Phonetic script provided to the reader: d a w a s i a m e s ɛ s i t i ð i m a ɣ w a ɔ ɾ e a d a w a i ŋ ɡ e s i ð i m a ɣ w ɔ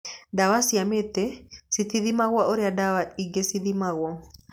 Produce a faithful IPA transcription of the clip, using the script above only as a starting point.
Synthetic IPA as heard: d a w a s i a m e t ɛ s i t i ð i m a ɣ w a o ɾ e a d a w a i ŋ ɡ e s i ð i m a ɣ w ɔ